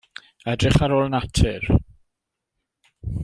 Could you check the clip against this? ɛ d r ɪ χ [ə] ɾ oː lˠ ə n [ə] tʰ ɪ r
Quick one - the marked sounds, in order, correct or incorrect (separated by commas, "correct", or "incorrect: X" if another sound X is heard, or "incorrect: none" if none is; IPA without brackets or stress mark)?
incorrect: a, incorrect: a